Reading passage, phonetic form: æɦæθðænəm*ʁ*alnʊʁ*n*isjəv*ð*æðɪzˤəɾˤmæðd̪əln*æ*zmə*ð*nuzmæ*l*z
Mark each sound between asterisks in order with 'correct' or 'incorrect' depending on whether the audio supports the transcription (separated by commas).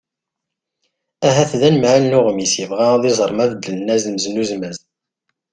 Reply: incorrect, incorrect, incorrect, correct, incorrect, incorrect